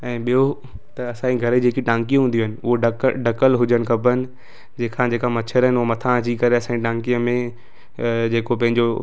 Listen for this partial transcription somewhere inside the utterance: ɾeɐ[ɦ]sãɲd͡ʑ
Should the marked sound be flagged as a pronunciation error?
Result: yes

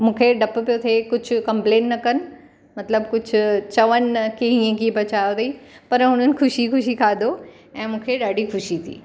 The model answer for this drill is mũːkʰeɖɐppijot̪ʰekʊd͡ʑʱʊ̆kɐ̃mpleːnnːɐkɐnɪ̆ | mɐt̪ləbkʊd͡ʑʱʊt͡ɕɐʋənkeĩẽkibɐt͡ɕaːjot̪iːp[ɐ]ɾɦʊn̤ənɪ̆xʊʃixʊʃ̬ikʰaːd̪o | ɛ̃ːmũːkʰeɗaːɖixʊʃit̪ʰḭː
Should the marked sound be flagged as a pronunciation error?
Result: no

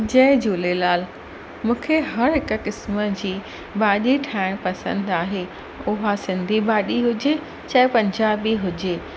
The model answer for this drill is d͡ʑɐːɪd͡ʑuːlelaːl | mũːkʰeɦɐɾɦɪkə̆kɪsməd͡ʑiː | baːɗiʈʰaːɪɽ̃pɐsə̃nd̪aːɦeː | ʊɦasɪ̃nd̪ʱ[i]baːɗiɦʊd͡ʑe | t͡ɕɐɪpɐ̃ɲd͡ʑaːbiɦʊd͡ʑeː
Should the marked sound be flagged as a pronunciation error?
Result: no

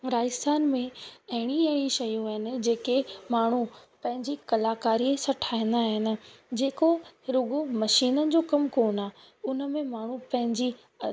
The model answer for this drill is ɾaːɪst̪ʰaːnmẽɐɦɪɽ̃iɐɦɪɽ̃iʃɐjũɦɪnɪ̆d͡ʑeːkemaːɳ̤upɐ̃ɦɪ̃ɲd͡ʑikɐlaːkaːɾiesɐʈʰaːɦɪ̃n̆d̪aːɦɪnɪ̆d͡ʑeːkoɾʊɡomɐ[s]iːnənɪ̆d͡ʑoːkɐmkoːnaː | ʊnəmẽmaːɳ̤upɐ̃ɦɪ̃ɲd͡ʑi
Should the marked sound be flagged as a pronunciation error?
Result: yes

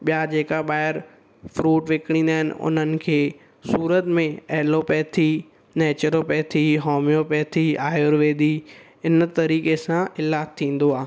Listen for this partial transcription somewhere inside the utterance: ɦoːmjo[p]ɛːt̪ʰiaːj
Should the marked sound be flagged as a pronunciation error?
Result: no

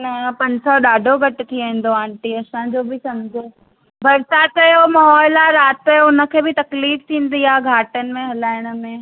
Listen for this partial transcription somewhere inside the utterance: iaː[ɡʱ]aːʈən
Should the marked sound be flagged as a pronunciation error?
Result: no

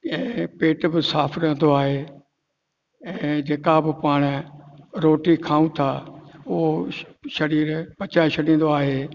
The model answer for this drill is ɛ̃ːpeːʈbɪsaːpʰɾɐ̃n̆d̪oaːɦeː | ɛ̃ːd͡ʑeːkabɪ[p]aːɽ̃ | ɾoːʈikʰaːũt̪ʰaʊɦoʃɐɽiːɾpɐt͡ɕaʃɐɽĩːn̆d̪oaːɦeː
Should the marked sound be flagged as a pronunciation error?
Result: no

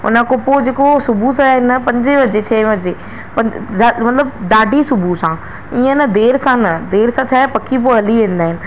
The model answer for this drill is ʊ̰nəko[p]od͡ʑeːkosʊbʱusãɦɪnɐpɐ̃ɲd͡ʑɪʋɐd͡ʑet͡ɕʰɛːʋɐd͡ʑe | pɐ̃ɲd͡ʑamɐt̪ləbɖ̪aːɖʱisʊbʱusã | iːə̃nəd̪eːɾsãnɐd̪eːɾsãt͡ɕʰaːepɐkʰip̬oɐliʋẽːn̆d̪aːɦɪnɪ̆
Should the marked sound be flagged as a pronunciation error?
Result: no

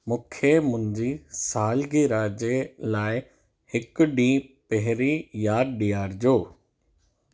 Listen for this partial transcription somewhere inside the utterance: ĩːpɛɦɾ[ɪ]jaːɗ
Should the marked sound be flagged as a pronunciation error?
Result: yes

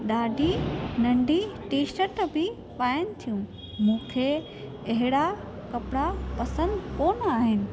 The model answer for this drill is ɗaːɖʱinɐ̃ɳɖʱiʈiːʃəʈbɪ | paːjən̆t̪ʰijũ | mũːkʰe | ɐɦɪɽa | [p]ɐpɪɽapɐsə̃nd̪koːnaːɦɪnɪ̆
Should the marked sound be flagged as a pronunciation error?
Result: yes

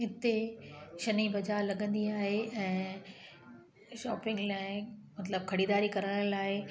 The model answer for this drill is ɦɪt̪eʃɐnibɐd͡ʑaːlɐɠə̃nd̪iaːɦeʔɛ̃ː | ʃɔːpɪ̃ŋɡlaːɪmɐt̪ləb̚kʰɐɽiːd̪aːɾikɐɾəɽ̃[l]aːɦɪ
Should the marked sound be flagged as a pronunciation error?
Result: no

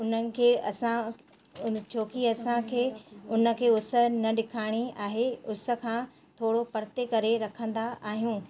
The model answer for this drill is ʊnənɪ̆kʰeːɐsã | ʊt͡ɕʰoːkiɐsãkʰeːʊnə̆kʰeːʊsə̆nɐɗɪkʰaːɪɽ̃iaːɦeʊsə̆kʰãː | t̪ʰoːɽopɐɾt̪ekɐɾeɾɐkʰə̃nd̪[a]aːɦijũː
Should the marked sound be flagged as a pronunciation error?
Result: no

